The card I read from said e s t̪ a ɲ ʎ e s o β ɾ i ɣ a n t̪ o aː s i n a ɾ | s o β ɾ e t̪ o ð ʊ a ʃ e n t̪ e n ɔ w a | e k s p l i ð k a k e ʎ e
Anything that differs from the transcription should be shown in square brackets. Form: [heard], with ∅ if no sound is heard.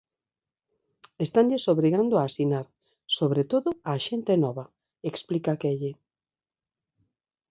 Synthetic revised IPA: e s t̪ a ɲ ʎ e s o β ɾ i ɣ a n [d̪] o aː s i n a ɾ | s o β ɾ e t̪ o ð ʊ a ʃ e n t̪ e n ɔ [β] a | e k s p l i [∅] k a k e ʎ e